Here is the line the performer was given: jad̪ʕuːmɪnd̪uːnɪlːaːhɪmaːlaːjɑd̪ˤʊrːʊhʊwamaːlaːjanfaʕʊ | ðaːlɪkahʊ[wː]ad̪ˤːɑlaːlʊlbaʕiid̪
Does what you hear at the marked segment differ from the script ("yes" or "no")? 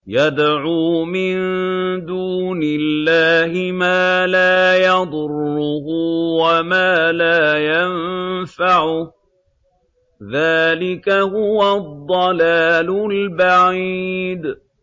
yes